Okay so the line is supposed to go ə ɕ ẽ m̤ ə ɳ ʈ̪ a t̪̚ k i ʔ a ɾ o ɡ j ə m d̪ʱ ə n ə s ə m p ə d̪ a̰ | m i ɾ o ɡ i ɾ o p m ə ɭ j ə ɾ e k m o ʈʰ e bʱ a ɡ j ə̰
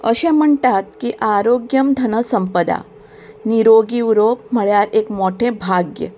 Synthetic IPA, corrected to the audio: ə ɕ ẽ m̤ ə ɳ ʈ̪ a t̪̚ k i ʔ a ɾ o ɡ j ə m d̪ʱ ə n ə s ə m p ə d̪ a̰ | n i ɾ o ɡ i ɾ o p m ə ɭ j a ɾ e k m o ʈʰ e bʱ a ɡ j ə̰